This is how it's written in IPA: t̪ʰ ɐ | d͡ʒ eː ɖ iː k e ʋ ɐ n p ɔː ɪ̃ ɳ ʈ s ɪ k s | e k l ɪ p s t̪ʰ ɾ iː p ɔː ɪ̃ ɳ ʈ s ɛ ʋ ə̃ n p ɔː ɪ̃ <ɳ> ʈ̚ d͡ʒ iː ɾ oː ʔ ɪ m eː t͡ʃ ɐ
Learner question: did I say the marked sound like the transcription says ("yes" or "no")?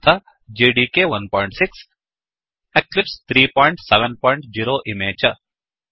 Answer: yes